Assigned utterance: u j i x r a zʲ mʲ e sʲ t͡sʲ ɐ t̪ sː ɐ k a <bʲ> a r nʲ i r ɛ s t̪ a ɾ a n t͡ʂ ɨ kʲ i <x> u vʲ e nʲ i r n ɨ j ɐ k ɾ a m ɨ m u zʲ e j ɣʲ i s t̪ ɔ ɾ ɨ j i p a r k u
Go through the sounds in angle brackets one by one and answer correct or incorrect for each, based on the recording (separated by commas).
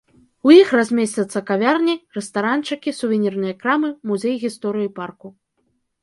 incorrect, incorrect